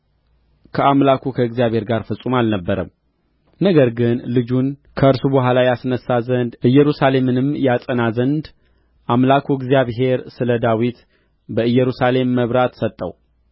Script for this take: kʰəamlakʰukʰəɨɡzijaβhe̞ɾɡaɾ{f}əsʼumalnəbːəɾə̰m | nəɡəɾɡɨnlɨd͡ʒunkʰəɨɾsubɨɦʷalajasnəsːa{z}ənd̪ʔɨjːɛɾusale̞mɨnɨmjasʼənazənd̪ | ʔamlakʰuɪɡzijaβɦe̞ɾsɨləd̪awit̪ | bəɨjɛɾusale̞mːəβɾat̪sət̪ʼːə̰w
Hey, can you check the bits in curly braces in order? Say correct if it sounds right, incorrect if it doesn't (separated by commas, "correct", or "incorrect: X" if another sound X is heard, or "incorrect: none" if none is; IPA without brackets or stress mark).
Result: correct, correct